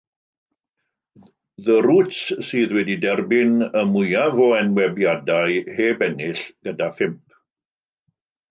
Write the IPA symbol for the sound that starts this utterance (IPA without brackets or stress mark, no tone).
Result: ð